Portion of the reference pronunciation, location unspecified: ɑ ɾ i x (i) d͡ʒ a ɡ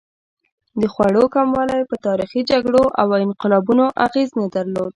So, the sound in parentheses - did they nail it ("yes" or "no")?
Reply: yes